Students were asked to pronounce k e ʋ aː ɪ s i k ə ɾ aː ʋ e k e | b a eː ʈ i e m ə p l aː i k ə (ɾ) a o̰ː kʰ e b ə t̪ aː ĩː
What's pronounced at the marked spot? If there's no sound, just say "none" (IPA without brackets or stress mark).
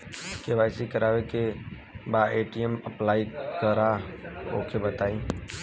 ɾ